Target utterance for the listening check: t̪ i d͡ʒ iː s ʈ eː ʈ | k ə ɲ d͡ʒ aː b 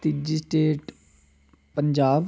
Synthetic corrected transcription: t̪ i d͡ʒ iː s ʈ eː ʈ | p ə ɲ d͡ʒ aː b